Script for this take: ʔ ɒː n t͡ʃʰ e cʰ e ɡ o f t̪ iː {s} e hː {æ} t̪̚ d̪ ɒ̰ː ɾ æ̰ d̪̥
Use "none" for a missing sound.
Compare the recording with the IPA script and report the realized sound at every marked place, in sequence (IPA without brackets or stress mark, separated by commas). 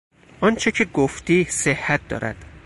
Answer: s, æ